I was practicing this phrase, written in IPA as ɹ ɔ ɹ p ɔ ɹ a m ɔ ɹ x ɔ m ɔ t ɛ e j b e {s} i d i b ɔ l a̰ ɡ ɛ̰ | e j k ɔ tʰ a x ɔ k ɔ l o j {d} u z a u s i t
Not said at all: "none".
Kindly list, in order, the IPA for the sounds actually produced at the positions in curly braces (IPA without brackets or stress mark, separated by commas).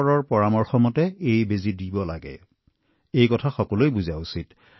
z, b